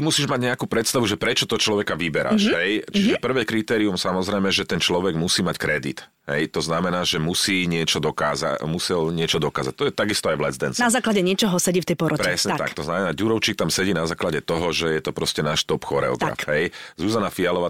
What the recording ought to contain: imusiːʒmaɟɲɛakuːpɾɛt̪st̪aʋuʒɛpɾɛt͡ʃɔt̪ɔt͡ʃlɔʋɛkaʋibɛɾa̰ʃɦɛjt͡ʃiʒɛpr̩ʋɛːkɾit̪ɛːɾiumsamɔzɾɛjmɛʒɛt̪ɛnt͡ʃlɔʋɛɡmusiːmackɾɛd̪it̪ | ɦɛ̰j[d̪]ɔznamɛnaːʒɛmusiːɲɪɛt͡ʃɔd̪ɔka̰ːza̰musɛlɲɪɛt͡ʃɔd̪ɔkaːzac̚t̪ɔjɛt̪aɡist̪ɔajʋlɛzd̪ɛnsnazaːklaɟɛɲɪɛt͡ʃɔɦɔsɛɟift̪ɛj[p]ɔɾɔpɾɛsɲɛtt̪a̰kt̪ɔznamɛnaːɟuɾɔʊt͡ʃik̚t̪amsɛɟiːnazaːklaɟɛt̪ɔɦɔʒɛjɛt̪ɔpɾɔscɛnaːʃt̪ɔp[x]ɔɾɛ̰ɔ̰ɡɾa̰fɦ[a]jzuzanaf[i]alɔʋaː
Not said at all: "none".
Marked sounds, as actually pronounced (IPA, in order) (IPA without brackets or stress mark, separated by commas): t̪, p, x, ɛ, i